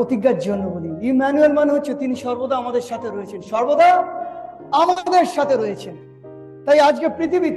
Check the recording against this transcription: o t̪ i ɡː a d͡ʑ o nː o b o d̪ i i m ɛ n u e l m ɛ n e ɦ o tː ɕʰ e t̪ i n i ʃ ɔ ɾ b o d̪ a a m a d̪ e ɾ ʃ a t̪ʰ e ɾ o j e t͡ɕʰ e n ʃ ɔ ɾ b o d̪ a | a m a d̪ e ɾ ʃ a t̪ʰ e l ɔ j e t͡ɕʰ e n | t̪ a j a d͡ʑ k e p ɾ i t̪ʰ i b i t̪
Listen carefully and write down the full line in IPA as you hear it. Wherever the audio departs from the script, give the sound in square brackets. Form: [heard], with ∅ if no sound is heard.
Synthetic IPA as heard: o t̪ i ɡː a d͡ʑ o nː o b o d̪ i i m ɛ n u e l m [a] n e ɦ o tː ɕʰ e t̪ i n i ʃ ɔ ɾ b o d̪ a a m a d̪ e ɾ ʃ a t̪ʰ e ɾ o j e t͡ɕʰ e n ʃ ɔ ɾ b o d̪ a | a m a d̪ e ɾ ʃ a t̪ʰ e [ɾ] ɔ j e t͡ɕʰ e n | t̪ a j a d͡ʑ k e p ɾ i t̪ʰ i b i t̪